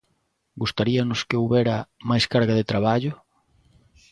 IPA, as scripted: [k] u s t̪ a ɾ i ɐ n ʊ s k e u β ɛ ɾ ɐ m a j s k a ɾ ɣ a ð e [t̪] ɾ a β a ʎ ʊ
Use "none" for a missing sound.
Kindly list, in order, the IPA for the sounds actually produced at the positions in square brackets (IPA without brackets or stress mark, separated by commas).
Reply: ɡ, t̪